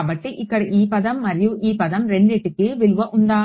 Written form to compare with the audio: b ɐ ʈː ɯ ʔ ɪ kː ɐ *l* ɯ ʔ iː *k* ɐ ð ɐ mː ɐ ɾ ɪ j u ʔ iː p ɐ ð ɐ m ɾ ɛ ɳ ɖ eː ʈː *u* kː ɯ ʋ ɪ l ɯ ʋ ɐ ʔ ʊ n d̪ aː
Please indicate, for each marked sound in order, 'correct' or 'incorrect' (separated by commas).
incorrect, incorrect, incorrect